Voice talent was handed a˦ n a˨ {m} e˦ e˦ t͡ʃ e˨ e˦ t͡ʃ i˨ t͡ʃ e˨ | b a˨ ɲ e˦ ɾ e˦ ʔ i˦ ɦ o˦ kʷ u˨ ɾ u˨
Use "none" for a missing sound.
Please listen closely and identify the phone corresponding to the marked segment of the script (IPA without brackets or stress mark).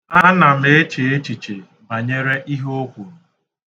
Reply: m